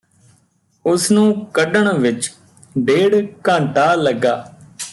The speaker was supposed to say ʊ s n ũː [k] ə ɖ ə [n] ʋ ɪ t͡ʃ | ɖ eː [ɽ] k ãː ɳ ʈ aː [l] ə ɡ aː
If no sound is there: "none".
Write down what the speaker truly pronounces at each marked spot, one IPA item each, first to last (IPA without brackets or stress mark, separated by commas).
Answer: k, ɳ, ɽ, l